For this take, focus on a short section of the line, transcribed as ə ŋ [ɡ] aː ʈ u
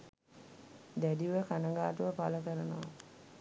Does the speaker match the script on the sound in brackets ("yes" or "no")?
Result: yes